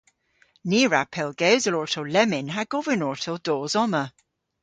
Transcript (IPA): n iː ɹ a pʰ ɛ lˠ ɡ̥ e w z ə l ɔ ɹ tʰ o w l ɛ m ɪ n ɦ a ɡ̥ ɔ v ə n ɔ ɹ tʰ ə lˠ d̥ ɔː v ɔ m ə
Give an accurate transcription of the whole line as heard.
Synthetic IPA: n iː ɹ a pʰ ɛ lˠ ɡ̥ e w z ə l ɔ ɹ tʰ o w l ɛ m ɪ n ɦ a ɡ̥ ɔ v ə n ɔ ɹ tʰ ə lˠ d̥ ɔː z ɔ m ə